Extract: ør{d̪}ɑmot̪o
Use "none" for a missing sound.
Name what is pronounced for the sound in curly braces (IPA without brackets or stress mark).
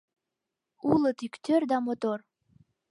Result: d̪